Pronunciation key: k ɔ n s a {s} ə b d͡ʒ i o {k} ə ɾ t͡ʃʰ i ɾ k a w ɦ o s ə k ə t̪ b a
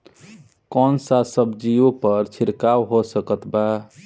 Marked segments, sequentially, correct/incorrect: correct, incorrect

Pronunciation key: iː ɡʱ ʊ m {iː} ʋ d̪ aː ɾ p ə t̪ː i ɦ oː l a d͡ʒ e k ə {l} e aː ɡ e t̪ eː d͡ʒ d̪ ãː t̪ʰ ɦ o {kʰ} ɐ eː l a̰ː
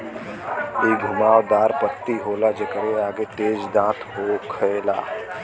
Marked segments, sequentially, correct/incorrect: incorrect, incorrect, correct

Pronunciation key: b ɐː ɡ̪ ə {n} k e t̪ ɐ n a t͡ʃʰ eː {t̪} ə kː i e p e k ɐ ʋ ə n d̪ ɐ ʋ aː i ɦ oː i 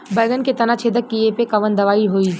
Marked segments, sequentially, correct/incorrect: correct, incorrect

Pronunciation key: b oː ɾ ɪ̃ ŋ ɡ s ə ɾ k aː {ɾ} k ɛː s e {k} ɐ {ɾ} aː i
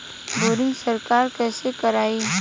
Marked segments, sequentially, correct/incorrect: correct, correct, correct

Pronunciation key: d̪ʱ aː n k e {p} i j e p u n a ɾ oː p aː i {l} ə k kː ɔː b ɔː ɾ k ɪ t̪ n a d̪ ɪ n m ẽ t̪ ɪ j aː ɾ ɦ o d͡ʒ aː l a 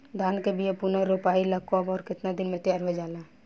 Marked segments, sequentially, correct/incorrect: incorrect, correct

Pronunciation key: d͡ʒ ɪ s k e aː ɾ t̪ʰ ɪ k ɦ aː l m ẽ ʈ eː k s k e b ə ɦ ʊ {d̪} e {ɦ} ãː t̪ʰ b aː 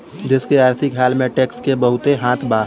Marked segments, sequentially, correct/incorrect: incorrect, correct

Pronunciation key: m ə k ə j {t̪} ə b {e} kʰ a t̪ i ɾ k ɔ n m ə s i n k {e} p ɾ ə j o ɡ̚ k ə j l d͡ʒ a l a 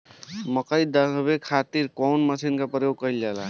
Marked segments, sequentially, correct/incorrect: incorrect, correct, incorrect

